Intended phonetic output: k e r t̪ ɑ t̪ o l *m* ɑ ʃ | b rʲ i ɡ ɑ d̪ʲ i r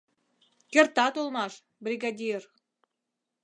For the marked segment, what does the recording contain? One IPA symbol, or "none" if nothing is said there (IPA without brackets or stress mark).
m